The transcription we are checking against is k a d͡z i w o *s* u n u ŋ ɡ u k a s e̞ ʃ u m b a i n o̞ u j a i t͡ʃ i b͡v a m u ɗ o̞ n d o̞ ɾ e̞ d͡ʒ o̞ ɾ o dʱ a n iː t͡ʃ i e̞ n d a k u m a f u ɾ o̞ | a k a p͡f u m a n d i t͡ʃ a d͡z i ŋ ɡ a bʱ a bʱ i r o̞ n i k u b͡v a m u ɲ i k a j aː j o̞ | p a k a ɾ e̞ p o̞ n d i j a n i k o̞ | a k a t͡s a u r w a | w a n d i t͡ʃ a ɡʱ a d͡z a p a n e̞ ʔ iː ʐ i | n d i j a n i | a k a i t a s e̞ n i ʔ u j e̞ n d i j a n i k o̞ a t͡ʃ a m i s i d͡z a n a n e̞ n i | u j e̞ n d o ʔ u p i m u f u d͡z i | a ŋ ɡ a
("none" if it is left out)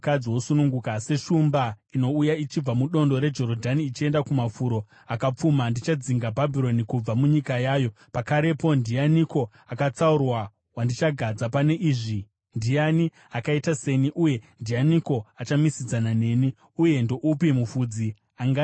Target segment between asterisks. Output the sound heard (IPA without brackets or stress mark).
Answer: s